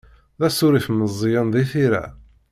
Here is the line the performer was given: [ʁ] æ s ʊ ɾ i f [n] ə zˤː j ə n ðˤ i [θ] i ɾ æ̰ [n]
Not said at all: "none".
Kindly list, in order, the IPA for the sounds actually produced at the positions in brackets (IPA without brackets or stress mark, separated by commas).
ð, m, θ, none